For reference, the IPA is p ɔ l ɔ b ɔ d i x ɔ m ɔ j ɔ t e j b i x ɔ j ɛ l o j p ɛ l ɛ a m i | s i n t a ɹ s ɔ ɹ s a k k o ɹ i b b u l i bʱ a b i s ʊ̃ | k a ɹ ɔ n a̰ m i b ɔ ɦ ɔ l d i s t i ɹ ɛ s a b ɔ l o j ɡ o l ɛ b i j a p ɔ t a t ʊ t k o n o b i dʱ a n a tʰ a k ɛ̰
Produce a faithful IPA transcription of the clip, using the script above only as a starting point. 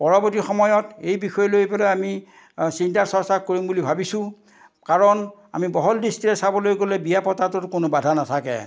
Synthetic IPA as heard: p ɔ ɹ ɔ b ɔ t i x ɔ m ɔ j ɔ t e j b i x ɔ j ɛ l o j p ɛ l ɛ a m i | s i n t a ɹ s ɔ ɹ s a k k o ɹ i m b u l i bʱ a b i s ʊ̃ | k a ɹ ɔ n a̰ m i b ɔ ɦ ɔ l d i s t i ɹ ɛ s a b ɔ l o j ɡ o l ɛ b i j a p ɔ t a t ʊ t k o n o b a dʱ a n a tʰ a k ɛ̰